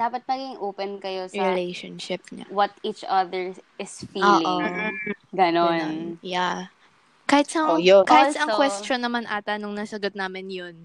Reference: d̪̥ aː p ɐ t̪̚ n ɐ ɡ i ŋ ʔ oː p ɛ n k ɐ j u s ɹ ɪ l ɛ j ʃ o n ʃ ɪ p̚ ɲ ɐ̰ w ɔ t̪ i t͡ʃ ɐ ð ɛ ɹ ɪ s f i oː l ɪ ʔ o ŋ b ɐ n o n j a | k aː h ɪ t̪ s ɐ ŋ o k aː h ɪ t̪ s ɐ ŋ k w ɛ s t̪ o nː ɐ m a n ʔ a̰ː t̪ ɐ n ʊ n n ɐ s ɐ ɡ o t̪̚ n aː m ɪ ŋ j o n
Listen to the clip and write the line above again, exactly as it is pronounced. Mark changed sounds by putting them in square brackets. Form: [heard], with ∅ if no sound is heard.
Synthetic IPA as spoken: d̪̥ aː p ɐ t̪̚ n ɐ ɡ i ŋ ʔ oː p ɛ n k ɐ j [o] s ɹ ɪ l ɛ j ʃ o n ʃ ɪ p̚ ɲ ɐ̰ w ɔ t̪ i t͡ʃ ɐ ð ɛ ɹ ɪ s f i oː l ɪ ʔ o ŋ [ɡ] ɐ n o n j a | k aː h ɪ t̪ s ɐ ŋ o k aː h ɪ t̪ s ɐ ŋ k w ɛ s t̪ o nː ɐ m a n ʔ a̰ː t̪ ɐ n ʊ [ŋ] n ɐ s ɐ ɡ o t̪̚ n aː m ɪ [n] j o n